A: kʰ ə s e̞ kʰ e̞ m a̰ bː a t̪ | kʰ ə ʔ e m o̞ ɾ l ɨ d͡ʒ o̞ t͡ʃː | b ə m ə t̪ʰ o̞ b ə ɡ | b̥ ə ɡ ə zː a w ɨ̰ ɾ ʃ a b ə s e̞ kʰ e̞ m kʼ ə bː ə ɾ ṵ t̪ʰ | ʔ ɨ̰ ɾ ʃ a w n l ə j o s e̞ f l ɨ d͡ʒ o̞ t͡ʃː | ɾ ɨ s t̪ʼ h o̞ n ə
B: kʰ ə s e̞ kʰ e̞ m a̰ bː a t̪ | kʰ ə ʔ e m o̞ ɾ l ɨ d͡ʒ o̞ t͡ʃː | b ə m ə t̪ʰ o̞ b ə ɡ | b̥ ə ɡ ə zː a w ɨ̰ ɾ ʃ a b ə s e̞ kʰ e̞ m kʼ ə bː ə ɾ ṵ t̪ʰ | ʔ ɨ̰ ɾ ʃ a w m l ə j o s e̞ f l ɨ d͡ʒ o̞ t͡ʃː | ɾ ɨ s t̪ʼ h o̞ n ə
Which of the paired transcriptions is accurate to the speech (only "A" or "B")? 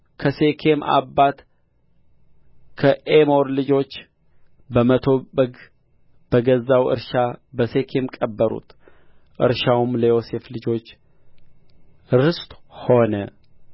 B